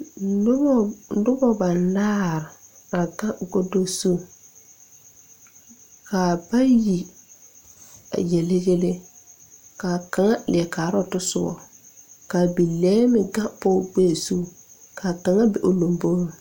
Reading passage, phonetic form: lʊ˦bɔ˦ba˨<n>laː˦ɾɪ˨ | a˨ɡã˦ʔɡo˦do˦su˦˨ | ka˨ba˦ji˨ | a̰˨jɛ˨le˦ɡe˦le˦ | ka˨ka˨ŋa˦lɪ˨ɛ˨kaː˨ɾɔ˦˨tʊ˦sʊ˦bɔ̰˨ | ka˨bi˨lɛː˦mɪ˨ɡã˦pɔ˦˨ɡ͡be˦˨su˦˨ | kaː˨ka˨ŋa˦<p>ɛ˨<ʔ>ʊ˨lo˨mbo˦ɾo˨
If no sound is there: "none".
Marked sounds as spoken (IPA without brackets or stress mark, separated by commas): n, b, ʔ